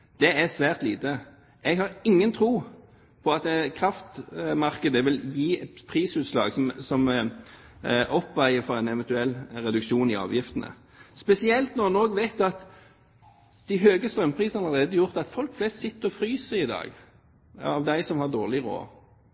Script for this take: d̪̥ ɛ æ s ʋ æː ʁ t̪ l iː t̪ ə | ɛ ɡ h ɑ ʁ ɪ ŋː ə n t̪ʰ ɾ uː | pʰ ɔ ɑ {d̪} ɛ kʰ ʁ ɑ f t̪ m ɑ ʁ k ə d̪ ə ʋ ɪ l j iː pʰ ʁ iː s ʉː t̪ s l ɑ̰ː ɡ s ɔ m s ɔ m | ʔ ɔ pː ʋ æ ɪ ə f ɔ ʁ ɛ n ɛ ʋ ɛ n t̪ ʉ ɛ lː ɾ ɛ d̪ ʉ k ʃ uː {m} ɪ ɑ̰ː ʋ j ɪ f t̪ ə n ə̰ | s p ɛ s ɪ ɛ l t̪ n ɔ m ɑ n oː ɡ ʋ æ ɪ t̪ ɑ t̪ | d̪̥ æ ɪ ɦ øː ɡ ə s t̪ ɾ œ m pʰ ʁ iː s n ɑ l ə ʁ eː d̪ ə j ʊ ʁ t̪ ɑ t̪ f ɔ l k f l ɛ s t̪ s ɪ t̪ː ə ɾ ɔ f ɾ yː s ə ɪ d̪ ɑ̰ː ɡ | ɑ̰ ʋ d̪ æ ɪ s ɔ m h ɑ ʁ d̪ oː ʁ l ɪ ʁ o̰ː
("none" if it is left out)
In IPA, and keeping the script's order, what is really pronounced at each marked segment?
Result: t̪, n

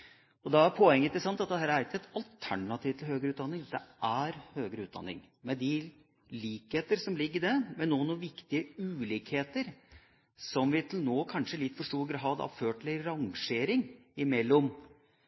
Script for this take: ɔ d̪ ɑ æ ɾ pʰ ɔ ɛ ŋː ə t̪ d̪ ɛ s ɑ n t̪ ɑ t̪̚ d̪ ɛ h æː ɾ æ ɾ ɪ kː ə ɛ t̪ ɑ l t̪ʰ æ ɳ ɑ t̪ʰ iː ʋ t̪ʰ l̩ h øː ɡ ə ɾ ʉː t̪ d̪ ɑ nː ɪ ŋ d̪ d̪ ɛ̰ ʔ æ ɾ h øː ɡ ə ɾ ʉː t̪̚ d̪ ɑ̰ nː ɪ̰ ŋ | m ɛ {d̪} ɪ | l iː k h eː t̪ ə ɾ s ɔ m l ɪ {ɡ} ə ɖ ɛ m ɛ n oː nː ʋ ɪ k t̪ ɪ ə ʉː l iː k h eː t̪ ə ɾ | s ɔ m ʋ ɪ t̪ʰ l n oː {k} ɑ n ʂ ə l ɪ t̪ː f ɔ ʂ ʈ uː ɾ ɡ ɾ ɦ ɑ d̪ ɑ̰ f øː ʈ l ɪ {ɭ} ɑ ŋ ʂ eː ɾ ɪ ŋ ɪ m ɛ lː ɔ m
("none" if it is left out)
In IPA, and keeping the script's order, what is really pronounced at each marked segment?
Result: d̪, ɡː, kʰ, ɾ

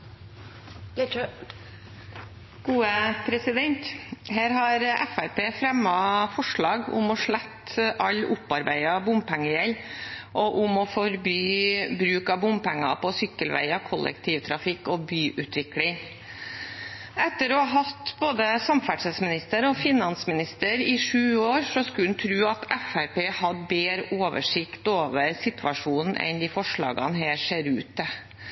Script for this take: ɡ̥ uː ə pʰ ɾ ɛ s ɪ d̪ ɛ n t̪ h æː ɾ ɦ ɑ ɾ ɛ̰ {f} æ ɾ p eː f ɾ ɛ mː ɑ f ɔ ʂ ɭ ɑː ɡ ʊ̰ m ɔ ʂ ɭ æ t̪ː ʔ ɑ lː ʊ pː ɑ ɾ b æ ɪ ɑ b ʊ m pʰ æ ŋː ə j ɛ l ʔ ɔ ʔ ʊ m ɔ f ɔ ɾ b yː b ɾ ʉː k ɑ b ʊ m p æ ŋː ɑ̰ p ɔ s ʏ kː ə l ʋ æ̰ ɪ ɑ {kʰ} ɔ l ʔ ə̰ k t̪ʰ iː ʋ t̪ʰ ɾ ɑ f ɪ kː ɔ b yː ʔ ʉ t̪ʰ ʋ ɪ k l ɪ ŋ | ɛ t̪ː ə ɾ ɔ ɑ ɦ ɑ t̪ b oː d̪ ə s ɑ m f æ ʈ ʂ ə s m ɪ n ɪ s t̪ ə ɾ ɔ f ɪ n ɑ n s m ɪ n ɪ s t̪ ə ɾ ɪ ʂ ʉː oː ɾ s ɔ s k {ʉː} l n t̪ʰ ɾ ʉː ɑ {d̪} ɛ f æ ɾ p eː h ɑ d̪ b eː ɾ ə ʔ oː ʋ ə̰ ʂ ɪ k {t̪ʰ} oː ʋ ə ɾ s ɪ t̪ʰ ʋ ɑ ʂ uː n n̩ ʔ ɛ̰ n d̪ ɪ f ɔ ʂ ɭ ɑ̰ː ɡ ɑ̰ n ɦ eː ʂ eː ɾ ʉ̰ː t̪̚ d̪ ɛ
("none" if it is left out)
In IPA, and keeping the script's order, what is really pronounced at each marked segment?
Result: f, kʰ, ʉ, t̪, t̪

